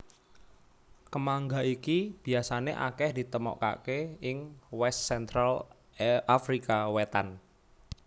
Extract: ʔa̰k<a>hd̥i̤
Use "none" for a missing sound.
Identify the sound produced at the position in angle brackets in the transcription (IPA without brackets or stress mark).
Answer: ɛ